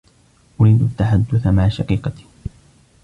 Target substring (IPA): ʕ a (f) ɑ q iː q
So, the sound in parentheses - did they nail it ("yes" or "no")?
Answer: no